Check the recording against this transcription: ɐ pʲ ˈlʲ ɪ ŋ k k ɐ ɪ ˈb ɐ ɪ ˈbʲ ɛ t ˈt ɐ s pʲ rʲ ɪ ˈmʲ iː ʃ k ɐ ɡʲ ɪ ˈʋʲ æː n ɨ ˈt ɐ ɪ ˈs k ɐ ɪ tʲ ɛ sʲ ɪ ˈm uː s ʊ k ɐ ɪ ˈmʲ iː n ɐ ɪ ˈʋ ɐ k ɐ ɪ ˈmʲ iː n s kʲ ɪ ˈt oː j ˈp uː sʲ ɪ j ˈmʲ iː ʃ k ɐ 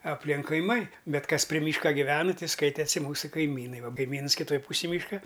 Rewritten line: ɐ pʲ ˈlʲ ɪ ŋ k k ɐ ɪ ˈm ɐ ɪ ˈbʲ ɛ t ˈk ɐ s pʲ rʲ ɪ ˈmʲ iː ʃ k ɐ ɡʲ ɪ ˈʋʲ æː n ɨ ˈt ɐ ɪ ˈs k ɐ ɪ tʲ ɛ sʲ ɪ ˈm uː s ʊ k ɐ ɪ ˈmʲ iː n ɐ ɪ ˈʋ ɐ k ɐ ɪ ˈmʲ iː n s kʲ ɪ ˈt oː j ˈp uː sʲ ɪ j ˈmʲ iː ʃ k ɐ